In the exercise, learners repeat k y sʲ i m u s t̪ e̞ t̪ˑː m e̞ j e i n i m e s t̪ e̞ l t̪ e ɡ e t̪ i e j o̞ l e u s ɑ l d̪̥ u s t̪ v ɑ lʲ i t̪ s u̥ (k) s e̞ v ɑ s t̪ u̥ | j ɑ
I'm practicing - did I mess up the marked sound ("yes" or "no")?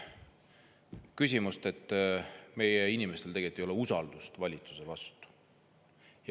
yes